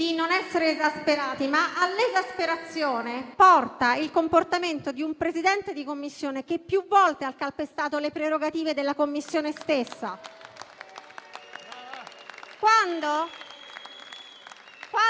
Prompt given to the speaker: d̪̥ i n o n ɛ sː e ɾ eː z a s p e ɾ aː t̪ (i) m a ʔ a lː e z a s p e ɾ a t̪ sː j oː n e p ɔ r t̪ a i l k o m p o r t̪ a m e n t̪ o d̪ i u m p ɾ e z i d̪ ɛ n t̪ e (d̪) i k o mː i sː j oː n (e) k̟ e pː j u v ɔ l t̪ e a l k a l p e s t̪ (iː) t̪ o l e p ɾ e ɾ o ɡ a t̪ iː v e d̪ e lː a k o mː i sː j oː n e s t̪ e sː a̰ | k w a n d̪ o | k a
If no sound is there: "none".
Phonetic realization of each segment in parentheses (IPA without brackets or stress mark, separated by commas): i, d̪, e, aː